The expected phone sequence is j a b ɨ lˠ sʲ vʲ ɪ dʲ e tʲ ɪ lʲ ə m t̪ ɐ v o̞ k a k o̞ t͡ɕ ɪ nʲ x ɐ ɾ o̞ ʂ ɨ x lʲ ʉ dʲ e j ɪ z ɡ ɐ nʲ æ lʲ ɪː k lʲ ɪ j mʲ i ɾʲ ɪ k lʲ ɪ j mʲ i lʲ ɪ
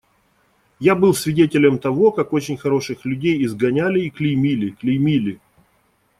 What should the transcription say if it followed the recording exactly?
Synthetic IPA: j a b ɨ lˠ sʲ vʲ ɪ dʲ e tʲ ɪ lʲ ə m t̪ ɐ v o̞ k a k o̞ t͡ɕ ɪ nʲ x ɐ ɾ o̞ ʂ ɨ x lʲ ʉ dʲ e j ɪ z ɡ ɐ nʲ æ lʲ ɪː k lʲ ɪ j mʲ i lʲ ɪ k lʲ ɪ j mʲ i lʲ ɪ